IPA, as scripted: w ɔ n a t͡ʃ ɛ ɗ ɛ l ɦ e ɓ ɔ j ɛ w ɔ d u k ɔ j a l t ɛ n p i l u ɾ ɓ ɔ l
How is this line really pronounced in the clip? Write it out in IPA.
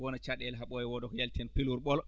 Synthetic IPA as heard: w ɔ n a t͡ʃ a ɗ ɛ l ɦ a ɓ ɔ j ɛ w ɔ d ɔ k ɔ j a l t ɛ n p i l u ɾ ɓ ɔ l